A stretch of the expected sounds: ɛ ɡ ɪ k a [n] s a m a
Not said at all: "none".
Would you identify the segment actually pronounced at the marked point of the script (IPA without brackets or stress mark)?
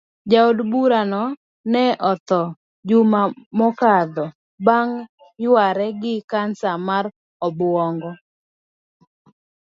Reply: n